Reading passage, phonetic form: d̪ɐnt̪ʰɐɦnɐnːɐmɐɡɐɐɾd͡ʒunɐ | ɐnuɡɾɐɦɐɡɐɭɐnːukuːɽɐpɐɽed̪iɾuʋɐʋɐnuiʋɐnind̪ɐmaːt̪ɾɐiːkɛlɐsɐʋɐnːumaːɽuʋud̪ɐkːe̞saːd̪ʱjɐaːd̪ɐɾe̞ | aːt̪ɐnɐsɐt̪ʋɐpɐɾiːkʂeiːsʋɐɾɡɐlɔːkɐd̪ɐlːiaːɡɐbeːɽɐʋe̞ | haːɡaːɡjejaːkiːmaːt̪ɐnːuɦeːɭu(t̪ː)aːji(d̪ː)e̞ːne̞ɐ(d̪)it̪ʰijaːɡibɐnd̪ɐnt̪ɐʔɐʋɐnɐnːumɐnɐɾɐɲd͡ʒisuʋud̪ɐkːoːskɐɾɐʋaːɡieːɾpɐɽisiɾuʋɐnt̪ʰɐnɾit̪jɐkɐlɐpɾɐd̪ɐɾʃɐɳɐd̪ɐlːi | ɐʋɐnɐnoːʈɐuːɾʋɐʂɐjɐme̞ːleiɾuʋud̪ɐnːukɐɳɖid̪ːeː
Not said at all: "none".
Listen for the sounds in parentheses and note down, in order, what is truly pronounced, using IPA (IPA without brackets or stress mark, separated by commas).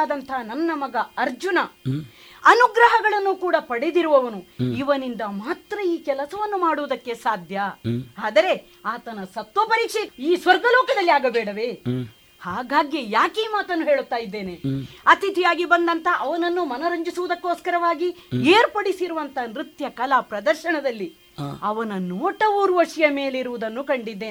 t̪ː, d̪ː, t̪